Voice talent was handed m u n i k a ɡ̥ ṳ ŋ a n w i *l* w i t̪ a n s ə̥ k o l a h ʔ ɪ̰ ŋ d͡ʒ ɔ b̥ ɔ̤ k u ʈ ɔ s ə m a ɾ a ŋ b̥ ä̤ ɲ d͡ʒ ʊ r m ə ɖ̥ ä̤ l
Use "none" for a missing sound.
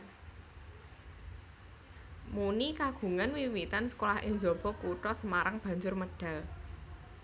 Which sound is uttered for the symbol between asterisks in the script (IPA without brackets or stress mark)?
none